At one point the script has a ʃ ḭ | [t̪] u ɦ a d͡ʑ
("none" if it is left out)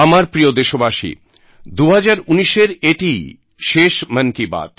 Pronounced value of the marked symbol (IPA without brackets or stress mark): d̪